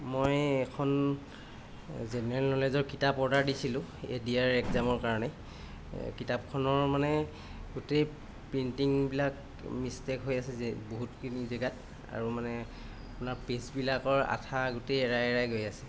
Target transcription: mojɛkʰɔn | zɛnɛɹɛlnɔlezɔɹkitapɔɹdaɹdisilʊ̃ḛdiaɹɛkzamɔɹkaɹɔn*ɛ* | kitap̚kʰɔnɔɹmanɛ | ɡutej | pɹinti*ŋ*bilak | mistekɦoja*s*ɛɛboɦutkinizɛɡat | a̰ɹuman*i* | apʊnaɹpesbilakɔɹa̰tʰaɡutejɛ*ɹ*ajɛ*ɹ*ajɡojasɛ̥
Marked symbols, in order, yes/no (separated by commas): yes, yes, yes, no, yes, yes